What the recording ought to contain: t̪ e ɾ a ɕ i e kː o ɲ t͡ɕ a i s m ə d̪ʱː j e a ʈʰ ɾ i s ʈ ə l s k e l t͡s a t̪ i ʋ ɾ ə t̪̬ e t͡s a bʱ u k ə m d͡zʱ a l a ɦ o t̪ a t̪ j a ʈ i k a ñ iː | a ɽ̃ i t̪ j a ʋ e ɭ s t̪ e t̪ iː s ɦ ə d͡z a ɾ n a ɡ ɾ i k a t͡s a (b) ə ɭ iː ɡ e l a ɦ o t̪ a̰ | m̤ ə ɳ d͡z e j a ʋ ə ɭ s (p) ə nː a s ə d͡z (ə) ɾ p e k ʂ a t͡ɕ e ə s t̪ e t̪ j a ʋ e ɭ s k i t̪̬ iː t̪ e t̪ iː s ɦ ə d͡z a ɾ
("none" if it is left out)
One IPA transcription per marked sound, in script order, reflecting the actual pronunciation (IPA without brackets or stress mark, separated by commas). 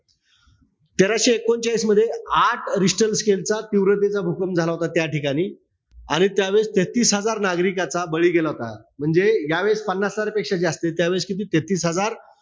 b, p, a